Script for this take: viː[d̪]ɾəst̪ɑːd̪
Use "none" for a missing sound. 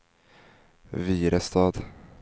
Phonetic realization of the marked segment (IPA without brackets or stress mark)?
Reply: none